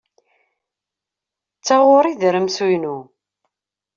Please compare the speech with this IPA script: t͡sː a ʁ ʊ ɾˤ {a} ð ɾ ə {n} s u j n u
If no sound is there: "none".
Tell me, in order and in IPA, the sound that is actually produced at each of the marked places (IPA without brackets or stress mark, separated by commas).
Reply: i, m